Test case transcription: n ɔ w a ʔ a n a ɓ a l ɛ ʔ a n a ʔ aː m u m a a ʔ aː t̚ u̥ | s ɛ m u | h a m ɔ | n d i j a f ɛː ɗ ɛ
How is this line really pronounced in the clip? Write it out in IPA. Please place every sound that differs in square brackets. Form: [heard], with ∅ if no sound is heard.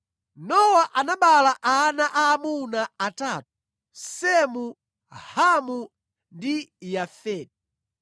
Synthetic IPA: n ɔ w a ʔ a n a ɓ a l [a] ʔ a n a ʔ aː m u [n] a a [t] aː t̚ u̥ | s ɛ m u | h a m [u] | n d i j a f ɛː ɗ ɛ

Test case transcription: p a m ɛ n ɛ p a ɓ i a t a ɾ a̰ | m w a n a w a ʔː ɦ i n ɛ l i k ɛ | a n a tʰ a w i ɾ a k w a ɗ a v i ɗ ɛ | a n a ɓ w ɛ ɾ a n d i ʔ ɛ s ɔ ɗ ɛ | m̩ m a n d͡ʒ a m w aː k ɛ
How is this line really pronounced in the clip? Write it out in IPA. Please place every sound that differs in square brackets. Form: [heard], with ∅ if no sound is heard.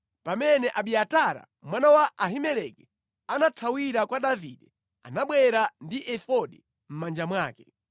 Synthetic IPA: p a m ɛ n ɛ [ʔ] a ɓ i a t a ɾ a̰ | m w a n a w a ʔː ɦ i [m] ɛ l [ɛ] k ɛ | a n a tʰ a w i ɾ a k w a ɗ a v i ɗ ɛ | a n a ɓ w ɛ ɾ a n d i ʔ ɛ [f] ɔ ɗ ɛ | m̩ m a n d͡ʒ a m w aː k ɛ

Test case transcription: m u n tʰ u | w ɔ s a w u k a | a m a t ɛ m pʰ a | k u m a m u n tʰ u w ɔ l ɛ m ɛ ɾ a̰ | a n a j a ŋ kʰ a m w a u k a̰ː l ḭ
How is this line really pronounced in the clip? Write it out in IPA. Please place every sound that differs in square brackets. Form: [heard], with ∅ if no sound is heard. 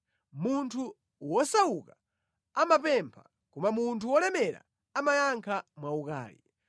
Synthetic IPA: m u n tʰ u | w ɔ s a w u k a | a m a [p] ɛ m pʰ a | k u m a m u n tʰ u w ɔ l ɛ m ɛ ɾ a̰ | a [m] a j a ŋ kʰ a m w a u k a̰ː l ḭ

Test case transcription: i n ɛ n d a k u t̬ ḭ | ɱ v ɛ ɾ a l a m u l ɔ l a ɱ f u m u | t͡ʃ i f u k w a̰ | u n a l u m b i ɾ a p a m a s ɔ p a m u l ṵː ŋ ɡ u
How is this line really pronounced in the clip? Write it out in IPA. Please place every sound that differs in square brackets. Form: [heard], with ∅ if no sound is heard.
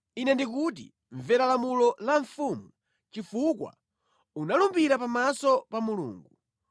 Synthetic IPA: i n ɛ n d [i] k u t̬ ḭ | ɱ v ɛ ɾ a l a m u l ɔ l a ɱ f u m u | t͡ʃ i f u k w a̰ | u n a l u m b i ɾ a p a m a s ɔ p a m u l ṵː ŋ ɡ u

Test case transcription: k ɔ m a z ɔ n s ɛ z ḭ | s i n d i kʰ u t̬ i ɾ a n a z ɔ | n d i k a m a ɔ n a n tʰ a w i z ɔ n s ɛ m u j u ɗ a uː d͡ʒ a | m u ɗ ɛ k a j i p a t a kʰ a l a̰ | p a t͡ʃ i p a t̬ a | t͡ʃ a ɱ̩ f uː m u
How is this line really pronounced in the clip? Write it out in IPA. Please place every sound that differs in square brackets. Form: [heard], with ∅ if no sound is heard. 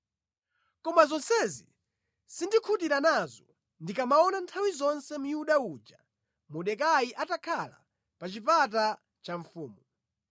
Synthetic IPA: k ɔ m a z ɔ n s ɛ z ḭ | s i n d i kʰ u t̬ i ɾ a n a z ɔ | n d i k a m a ɔ n a n tʰ a w i z ɔ n s ɛ m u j u ɗ a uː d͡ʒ a | m u ɗ ɛ k a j i [ʔ] a t a kʰ a l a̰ | p a t͡ʃ i p a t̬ a | t͡ʃ a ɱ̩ f uː m u

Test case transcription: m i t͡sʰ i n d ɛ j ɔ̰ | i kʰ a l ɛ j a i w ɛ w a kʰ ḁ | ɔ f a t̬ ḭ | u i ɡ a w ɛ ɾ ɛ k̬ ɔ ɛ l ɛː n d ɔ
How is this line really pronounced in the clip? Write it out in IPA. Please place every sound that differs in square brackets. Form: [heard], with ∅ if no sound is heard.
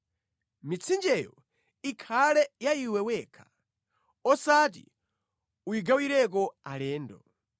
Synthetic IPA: m i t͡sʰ i n [d͡ʒ] ɛ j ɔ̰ | i kʰ a l ɛ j a i w ɛ w [ɛ] kʰ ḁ | ɔ [s] a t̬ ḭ | u i ɡ a w [i] ɾ ɛ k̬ ɔ [a] l ɛː n d ɔ

